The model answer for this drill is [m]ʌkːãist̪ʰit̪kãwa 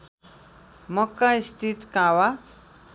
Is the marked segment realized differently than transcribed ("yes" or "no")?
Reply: no